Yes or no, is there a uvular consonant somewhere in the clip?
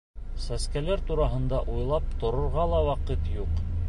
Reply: yes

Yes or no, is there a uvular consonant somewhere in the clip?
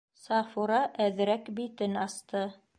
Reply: no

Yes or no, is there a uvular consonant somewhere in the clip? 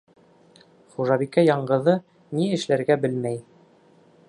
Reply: yes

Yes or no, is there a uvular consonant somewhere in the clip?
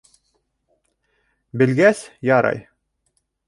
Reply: no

